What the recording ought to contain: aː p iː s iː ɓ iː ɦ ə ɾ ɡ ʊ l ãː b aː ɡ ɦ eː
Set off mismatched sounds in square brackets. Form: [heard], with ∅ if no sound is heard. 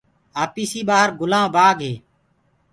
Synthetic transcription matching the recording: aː p iː s iː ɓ [aː] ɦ ə ɾ ɡ ʊ l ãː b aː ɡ ɦ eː